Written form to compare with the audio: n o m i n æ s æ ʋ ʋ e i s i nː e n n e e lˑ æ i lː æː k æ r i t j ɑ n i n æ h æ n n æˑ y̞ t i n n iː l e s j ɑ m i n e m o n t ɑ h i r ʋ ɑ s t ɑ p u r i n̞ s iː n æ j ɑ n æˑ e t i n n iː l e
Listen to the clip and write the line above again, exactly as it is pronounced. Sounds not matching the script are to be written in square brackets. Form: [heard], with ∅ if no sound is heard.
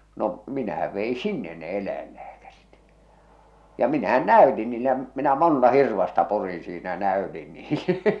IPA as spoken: n o m i n æ [h] æ ʋ ʋ e i s i nː e n n e e lˑ æ i lː æː k æ r i t j ɑ [m] i n æ h æ n n æˑ y̞ t i n n iː l e [∅] j ɑ m i n [æ] m o n t ɑ h i r ʋ ɑ s t ɑ p u r i n̞ s iː n æ j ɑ n æˑ [ø] t i n n iː l e